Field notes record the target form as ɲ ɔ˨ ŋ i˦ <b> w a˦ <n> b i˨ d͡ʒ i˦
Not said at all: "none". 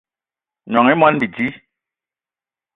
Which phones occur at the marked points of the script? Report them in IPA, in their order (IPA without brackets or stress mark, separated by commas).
m, n